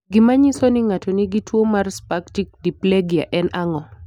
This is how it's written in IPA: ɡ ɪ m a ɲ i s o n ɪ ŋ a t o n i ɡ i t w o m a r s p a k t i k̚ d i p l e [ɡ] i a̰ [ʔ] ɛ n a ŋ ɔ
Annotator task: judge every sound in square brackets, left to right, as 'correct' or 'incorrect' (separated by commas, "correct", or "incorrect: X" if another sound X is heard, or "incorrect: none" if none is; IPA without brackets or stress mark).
correct, correct